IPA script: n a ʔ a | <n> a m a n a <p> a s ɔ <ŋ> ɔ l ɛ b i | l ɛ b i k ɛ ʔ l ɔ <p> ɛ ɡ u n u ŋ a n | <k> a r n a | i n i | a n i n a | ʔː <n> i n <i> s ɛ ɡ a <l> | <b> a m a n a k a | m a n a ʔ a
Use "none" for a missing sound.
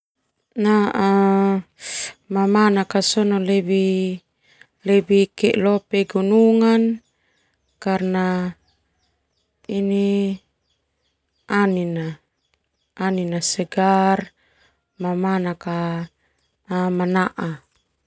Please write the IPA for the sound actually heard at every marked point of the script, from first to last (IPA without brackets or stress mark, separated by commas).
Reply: m, k, n, p, k, n, a, r, m